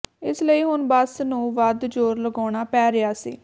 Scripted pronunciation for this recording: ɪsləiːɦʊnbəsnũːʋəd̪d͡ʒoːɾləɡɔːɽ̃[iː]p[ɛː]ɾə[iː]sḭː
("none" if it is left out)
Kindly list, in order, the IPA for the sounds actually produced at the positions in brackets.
aː, ɛː, aː

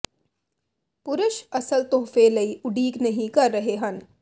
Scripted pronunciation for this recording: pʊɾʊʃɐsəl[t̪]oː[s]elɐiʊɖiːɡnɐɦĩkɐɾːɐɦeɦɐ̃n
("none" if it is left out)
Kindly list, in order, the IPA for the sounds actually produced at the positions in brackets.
t̪, f

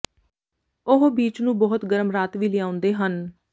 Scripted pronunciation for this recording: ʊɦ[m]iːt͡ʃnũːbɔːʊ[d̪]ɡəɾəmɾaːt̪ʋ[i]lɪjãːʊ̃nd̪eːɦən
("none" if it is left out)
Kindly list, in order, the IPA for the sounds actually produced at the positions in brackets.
b, t̪, iː

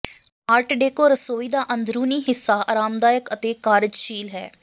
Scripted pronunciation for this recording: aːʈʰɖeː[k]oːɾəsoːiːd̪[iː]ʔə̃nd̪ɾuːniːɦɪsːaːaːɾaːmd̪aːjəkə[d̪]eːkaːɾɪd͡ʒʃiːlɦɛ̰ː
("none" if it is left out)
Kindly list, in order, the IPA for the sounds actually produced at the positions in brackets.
k, aː, t̪

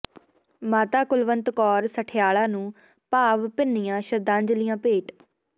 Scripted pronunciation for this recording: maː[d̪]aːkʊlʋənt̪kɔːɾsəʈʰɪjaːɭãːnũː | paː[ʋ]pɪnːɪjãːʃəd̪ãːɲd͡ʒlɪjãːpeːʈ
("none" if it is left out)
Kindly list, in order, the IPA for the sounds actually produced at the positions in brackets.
t̪, ʋ

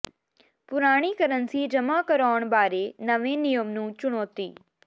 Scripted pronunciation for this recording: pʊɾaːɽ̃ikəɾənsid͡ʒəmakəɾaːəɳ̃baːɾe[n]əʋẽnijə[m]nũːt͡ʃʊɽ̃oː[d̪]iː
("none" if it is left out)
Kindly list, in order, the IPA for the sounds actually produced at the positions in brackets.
n, m, t̪

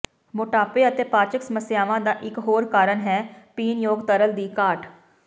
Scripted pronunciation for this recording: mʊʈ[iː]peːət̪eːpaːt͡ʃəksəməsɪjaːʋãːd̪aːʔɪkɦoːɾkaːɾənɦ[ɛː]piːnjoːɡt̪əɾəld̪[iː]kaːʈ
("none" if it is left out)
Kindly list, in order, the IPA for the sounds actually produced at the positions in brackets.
aː, ɛː, iː

